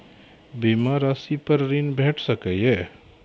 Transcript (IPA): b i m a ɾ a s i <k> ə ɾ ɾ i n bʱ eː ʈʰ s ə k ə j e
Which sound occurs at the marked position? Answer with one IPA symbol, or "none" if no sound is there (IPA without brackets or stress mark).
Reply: p